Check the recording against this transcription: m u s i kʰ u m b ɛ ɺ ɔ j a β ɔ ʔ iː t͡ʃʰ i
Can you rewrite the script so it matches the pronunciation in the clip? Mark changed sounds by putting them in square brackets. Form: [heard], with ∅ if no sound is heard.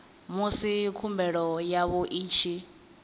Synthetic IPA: m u s i kʰ u m b ɛ ɺ ɔ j a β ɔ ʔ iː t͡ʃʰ i

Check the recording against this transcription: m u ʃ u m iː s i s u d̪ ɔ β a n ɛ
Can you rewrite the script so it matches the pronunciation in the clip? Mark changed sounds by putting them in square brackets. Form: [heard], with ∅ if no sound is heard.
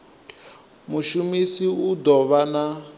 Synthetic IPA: m u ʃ u m [i] s i [∅] u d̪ ɔ β a n [a]

